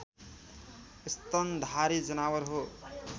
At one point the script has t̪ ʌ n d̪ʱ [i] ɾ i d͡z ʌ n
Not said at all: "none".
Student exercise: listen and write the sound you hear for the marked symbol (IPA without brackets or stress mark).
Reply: a